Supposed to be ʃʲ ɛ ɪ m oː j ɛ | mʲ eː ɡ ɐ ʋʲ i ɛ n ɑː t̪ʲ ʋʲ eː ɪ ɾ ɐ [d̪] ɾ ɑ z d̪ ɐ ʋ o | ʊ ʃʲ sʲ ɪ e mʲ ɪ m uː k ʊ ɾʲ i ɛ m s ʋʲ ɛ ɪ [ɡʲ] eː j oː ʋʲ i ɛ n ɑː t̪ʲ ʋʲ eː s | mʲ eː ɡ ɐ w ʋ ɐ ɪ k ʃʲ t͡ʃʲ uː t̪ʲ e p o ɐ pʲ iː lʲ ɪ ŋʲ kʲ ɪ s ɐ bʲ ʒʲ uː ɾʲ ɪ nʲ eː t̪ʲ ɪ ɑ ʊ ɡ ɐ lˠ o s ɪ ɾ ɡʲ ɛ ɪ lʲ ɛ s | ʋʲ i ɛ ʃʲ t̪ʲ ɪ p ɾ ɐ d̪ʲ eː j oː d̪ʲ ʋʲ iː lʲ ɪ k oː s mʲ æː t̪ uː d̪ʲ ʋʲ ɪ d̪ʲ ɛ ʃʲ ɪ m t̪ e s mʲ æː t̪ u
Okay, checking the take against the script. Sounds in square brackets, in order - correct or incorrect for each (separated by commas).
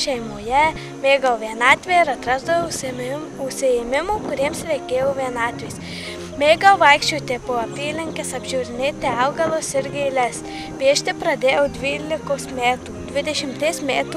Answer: incorrect, incorrect